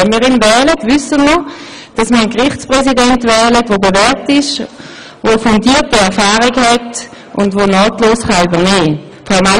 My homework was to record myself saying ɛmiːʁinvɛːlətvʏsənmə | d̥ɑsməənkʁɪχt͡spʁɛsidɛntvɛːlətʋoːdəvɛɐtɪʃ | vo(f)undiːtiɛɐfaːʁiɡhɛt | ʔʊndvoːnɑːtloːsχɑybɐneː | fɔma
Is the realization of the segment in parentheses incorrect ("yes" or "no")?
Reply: no